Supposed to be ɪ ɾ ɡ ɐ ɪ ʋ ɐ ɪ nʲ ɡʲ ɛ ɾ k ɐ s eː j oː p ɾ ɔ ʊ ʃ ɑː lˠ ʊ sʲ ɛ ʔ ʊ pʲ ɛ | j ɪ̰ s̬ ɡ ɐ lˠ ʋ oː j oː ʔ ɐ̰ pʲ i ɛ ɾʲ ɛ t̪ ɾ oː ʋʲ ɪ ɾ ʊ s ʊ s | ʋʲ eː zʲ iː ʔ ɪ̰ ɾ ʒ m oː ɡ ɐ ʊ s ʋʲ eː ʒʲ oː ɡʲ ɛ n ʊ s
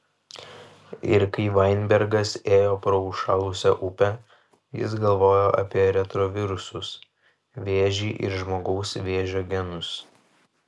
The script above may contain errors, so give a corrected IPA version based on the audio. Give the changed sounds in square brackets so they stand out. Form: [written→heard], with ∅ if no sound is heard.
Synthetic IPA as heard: ɪ ɾ [ɡ→k] ɐ ɪ ʋ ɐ ɪ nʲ [ɡʲ→bʲ] ɛ ɾ [k→ɡ] ɐ s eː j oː p ɾ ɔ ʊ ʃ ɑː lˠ ʊ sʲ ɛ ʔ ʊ pʲ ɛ | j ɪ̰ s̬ ɡ ɐ lˠ ʋ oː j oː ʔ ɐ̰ pʲ i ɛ ɾʲ ɛ t̪ ɾ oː ʋʲ ɪ ɾ ʊ s ʊ s | ʋʲ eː [zʲ→ʒʲ] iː ʔ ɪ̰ ɾ ʒ m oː ɡ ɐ ʊ s ʋʲ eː ʒʲ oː ɡʲ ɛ n ʊ s